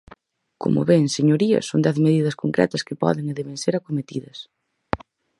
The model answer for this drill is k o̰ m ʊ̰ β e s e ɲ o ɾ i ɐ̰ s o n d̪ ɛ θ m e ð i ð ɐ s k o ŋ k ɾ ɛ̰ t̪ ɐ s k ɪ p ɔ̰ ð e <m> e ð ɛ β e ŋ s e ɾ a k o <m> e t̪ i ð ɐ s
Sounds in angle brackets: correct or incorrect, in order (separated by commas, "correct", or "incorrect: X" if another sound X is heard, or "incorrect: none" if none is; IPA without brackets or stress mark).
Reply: incorrect: ŋ, correct